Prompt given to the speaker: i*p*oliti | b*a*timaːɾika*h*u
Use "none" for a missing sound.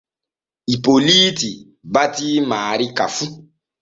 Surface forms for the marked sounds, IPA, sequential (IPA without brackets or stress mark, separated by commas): p, a, f